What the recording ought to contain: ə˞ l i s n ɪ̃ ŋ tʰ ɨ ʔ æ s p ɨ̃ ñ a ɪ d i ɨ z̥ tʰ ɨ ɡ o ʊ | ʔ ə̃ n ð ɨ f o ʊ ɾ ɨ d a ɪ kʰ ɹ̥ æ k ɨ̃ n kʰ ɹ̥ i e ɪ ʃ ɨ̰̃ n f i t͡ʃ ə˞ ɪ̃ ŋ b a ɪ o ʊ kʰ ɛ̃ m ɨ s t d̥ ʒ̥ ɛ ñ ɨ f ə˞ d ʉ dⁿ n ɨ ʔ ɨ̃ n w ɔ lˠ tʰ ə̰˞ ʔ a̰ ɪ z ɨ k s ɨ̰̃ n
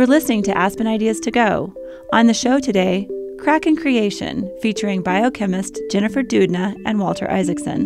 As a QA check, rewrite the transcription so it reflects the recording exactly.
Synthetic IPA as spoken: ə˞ l ɪ s n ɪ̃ ŋ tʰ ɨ ʔ æ s p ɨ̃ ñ a ɪ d i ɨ z̥ tʰ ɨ ɡ o ʊ | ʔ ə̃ n ð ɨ ʃ o ʊ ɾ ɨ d e ɪ kʰ ɹ̥ æ k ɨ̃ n kʰ ɹ̥ i e ɪ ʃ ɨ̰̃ n f i t͡ʃ ə˞ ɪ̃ ŋ b a ɪ o ʊ kʰ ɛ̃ m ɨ s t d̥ ʒ̥ ɛ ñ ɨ f ə˞ d ʉ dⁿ n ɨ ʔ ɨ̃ n w ɔ lˠ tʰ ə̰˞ ʔ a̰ ɪ z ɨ k s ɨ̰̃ n